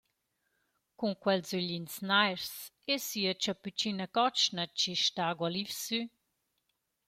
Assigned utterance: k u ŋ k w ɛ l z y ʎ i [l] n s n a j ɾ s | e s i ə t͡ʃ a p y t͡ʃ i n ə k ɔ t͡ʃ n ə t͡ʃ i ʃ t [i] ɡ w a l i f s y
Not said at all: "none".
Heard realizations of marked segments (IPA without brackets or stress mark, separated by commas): none, a